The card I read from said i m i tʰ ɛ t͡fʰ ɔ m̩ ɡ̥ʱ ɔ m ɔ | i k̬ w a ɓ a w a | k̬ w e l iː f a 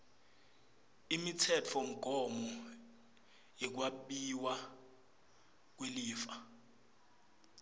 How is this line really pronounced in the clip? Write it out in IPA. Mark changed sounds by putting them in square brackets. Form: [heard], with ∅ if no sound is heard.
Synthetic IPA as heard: i m i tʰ ɛ t͡fʰ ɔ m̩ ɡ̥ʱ ɔ m ɔ | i k̬ w a ɓ [i] w a | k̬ w e l iː f a